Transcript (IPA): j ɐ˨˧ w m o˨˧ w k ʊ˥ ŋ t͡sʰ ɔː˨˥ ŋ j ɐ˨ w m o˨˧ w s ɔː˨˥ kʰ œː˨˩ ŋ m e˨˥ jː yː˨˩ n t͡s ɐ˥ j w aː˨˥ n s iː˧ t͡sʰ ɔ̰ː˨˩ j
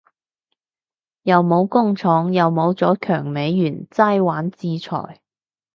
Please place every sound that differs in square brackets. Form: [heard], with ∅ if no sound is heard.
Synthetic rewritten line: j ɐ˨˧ w m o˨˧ w k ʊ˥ ŋ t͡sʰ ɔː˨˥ ŋ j ɐ˨ w m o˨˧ w [t͡s] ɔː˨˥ kʰ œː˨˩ ŋ m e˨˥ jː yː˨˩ n t͡s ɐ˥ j w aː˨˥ n [t͡s] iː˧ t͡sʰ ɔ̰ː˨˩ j